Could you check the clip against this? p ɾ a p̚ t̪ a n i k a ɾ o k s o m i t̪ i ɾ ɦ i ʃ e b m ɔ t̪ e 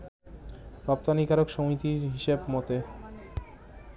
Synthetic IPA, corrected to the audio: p ɾ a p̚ t̪ a n i k a ɾ o k ʃ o m i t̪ i ɾ ɦ i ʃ e b m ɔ t̪ e